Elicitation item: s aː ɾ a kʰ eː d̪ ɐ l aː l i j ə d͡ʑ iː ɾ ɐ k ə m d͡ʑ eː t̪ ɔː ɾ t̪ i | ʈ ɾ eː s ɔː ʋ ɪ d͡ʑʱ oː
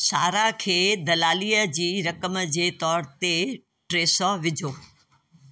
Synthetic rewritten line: s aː ɾ a kʰ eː d̪ ɐ l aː l i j ə d͡ʑ iː ɾ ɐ k ə m d͡ʑ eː t̪ ɔː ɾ t̪ e | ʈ ɾ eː s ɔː ʋ ɪ d͡ʑʱ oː